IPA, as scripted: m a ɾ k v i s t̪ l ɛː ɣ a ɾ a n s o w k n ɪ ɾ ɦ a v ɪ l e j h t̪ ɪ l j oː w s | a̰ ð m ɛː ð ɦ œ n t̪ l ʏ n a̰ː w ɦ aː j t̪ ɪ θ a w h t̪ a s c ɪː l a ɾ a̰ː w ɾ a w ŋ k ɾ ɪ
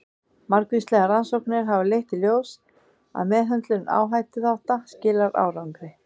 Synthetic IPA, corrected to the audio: m a ɾ k v i s t̪ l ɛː ɣ a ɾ a n s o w k n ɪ ɾ ɦ a v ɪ l e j h t̪ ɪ l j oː w s | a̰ ð m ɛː ð ɦ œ n t̪ l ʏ n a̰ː w ɦ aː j t̪ ɪ θ a w h t̪ a s c ɪː l a ɾ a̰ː w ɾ a w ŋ k ɾ ɪ